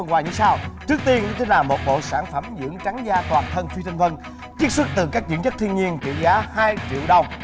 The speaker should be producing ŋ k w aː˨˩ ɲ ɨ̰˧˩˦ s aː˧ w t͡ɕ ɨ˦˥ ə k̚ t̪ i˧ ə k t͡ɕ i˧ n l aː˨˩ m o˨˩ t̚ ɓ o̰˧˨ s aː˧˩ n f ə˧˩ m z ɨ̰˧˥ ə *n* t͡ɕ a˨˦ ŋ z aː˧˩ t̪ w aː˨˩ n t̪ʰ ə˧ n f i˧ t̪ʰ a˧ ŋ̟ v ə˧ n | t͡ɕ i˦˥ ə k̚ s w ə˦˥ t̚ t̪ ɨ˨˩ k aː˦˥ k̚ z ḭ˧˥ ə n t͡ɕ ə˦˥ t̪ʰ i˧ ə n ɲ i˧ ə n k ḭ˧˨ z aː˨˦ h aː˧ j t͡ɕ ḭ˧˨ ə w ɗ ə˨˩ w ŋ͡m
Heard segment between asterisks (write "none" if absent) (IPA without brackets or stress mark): ŋ